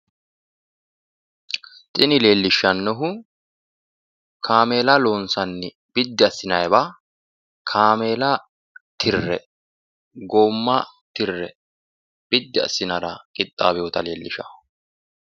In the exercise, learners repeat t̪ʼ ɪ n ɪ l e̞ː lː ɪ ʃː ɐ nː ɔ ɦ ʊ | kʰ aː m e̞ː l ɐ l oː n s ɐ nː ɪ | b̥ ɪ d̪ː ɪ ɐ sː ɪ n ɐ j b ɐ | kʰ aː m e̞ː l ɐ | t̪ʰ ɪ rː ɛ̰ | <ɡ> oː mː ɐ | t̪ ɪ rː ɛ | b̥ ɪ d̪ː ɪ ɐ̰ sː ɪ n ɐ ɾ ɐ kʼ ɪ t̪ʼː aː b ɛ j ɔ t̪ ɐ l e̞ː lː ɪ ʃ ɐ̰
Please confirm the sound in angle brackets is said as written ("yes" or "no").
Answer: yes